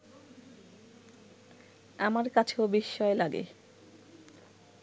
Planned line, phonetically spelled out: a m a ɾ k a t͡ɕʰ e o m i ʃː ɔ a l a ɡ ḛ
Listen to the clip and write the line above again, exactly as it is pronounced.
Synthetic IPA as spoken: a m a ɾ k a t͡ɕʰ e o b i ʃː ɔ e l a ɡ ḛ